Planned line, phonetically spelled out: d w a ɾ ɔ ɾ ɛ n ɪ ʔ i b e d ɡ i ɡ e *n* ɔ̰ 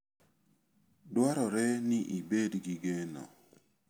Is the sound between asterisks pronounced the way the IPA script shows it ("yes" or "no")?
yes